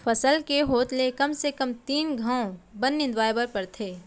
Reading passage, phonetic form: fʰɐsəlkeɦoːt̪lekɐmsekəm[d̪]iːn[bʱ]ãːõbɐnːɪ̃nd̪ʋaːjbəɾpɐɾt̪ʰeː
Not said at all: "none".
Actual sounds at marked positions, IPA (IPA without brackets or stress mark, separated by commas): t̪, ɡʱ